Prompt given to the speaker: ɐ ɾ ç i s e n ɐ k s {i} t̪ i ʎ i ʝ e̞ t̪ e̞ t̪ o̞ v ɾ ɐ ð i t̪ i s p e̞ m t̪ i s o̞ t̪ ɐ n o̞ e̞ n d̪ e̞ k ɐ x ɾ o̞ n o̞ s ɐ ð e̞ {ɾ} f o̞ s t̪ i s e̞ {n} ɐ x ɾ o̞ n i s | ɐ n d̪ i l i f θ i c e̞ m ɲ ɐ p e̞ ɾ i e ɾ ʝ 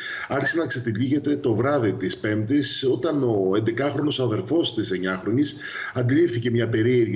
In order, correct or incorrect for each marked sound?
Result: incorrect: e, correct, incorrect: ɲ

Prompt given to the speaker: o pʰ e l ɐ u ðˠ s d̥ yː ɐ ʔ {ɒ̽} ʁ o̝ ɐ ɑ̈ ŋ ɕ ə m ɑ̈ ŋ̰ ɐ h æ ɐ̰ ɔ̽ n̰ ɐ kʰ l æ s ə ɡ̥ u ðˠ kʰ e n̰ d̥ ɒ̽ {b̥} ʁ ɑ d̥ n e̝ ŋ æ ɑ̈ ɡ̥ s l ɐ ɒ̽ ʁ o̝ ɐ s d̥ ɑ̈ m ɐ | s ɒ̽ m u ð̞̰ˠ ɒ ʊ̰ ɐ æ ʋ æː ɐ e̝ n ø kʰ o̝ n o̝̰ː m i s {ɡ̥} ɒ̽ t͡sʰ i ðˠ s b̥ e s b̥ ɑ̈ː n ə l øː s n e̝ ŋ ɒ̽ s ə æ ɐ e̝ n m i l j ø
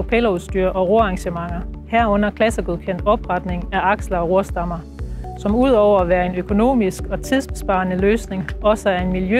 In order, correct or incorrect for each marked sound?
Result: correct, correct, correct

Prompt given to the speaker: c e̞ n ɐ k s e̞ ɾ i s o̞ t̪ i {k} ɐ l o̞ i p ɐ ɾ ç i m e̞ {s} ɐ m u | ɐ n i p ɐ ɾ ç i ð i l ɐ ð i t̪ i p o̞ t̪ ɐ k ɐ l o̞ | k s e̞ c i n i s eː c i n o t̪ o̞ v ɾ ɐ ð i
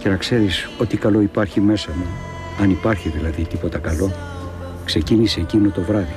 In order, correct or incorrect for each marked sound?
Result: correct, correct

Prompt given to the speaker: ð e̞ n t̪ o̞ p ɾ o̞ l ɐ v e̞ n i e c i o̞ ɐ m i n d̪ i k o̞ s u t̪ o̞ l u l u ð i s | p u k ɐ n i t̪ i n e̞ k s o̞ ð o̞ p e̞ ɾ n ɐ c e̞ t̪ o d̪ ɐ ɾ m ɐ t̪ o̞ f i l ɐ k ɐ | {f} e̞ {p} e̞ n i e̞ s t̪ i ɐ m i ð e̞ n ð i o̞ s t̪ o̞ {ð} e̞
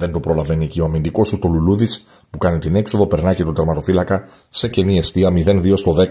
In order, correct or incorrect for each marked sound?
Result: incorrect: s, incorrect: c, correct

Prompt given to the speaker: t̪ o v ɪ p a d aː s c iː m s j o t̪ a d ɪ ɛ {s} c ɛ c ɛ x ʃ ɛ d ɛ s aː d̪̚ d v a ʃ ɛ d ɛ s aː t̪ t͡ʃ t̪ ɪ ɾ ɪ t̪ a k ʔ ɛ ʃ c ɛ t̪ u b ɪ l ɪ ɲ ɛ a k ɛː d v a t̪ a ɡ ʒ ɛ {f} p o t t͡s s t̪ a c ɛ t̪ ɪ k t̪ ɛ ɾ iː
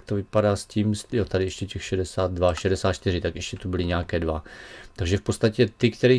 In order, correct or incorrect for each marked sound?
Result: incorrect: ʃ, correct

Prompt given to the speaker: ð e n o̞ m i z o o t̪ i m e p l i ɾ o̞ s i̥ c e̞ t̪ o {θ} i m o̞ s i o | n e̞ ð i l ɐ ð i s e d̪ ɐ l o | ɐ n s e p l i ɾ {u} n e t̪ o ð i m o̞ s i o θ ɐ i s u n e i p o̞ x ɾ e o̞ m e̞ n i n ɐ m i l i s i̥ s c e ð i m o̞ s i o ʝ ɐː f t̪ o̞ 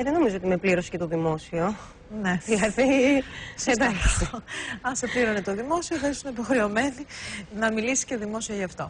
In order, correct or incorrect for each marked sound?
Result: incorrect: ð, incorrect: o

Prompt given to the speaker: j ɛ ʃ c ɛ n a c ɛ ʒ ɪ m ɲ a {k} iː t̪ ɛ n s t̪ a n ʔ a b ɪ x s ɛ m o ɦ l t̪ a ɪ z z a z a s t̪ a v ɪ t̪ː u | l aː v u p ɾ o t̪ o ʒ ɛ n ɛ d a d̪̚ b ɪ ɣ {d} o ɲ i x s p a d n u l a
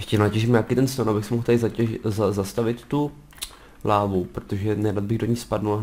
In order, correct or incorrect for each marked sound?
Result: correct, correct

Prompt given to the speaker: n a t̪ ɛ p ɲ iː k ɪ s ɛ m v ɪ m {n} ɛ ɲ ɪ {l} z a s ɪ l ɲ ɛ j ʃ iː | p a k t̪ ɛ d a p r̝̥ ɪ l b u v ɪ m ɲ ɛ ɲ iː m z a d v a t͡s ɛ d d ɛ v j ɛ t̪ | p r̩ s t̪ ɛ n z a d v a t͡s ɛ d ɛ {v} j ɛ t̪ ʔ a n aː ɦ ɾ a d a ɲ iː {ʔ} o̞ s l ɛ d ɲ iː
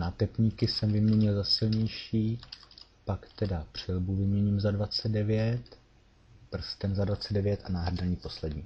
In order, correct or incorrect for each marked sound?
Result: incorrect: ɲ, correct, correct, incorrect: p

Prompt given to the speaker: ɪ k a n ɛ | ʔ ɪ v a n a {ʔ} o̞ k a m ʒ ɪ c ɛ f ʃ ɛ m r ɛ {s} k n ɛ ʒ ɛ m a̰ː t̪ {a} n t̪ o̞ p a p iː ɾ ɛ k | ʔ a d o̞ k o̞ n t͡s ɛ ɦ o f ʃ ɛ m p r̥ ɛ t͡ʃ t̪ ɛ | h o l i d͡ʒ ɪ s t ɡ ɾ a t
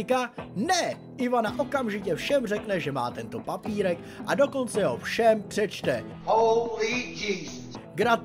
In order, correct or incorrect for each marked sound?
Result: correct, incorrect: none, incorrect: ɛ

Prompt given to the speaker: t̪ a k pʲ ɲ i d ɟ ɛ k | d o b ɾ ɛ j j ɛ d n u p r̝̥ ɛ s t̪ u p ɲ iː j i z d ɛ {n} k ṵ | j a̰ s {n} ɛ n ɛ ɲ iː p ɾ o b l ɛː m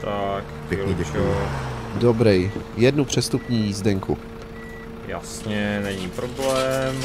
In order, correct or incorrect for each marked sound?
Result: incorrect: ŋ, incorrect: ɲ

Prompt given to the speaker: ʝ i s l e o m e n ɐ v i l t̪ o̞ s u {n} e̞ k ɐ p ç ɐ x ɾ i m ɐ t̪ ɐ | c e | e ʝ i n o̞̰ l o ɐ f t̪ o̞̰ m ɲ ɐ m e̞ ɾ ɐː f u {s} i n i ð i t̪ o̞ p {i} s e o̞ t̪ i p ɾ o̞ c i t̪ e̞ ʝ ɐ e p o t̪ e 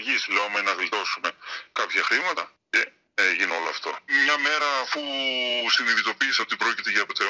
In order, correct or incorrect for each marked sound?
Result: incorrect: m, correct, incorrect: iː

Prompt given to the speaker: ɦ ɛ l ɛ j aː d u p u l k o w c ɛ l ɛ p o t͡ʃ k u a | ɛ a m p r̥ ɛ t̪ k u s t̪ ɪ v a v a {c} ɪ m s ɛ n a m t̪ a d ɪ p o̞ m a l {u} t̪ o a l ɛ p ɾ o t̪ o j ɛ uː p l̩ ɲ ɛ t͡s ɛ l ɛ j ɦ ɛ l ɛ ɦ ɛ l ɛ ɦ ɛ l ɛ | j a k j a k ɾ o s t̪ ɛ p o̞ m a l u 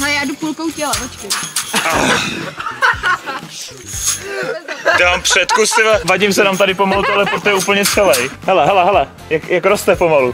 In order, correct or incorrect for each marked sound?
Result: incorrect: ɟ, correct

